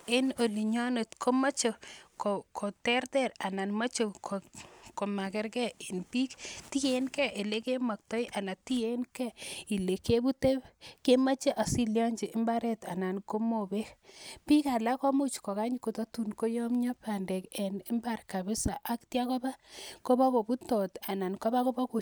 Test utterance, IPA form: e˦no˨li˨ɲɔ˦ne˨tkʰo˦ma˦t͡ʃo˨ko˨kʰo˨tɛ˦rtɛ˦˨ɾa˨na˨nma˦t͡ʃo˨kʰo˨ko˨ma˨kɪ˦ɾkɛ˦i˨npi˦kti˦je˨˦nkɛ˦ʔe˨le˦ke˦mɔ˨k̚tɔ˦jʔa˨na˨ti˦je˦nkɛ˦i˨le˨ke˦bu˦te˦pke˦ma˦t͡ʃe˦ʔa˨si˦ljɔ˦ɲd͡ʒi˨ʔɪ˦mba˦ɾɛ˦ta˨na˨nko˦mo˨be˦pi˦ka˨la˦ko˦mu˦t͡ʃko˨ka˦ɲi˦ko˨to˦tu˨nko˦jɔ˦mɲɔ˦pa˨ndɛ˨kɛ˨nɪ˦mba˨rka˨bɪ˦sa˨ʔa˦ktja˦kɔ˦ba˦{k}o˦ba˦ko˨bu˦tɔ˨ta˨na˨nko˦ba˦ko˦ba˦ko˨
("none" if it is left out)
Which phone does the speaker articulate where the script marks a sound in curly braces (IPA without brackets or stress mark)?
k